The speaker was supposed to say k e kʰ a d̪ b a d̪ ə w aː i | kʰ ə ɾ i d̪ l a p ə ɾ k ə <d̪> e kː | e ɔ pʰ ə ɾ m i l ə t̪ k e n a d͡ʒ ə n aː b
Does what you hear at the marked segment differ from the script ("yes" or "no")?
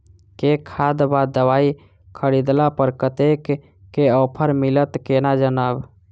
yes